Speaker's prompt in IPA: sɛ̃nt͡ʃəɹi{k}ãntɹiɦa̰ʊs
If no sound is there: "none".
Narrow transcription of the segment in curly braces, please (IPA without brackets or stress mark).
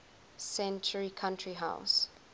kʰ